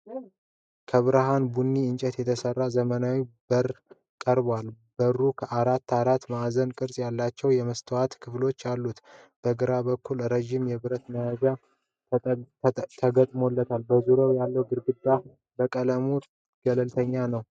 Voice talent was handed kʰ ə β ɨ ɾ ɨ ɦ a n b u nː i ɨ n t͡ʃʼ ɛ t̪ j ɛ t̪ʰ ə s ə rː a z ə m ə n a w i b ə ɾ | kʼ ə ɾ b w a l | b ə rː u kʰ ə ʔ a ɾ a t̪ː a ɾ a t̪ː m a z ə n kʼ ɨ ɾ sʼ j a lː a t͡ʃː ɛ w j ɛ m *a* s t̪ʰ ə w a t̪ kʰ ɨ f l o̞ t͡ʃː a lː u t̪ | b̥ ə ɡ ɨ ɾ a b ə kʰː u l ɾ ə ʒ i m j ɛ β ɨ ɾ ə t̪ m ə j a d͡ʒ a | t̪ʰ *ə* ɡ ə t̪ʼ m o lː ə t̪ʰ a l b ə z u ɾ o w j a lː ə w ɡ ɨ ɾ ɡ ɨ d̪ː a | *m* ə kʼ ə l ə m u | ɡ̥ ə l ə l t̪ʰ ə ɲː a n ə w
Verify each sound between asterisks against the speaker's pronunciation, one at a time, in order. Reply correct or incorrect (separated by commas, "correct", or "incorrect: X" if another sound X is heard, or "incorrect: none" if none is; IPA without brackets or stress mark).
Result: incorrect: ə, correct, incorrect: b